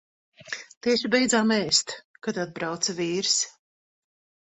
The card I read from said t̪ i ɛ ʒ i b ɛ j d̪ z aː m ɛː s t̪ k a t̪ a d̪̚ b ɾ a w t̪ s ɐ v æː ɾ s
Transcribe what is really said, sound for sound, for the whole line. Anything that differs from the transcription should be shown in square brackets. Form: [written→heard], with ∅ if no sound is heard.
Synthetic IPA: t̪ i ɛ [ʒ→ʃ] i b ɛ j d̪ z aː m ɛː s t̪ k a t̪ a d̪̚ b ɾ a w t̪ s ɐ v [æː→iː] ɾ s